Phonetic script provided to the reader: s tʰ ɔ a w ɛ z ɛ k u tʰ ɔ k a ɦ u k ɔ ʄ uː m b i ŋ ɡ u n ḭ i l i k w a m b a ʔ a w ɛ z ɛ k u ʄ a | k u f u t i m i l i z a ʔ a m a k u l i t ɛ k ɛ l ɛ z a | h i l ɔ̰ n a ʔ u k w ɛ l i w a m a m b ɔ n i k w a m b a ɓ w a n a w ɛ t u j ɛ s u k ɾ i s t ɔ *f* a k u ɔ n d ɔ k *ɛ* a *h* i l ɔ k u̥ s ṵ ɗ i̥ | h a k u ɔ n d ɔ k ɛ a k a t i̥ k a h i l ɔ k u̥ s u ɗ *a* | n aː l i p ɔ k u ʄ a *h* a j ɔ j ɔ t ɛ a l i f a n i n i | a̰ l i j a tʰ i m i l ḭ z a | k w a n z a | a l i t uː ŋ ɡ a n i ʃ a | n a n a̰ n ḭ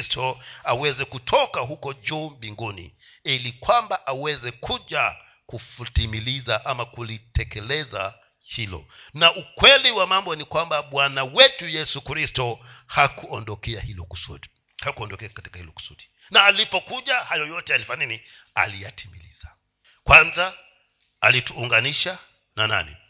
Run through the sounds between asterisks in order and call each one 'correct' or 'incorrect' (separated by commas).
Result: incorrect, correct, correct, incorrect, correct